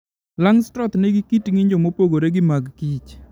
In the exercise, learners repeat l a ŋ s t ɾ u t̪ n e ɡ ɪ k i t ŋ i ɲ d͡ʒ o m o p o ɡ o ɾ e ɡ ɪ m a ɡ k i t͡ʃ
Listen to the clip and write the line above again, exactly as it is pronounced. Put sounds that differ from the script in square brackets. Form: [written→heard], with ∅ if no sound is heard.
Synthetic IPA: l a ŋ s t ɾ [u→ɔ] t̪ n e ɡ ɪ k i t ŋ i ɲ d͡ʒ o m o p o ɡ o ɾ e ɡ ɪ m a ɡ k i t͡ʃ